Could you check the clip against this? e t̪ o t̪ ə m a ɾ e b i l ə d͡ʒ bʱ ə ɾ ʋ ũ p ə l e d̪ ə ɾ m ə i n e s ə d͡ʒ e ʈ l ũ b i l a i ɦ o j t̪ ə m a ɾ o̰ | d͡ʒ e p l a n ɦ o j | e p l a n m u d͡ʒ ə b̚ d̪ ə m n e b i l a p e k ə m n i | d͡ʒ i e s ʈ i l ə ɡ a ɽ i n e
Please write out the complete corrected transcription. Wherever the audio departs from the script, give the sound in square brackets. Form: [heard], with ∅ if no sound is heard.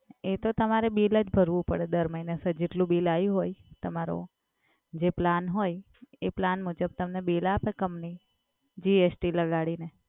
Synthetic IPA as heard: e t̪ o t̪ ə m a ɾ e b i l ə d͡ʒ bʱ ə ɾ ʋ ũ p ə [ɽ] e d̪ ə ɾ m ə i n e s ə d͡ʒ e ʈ l ũ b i l a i ɦ o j t̪ ə m a ɾ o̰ | d͡ʒ e p l a n ɦ o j | e p l a n m u d͡ʒ ə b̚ [t̪] ə m n e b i l a p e k ə m n i | d͡ʒ i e s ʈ i l ə ɡ a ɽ i n e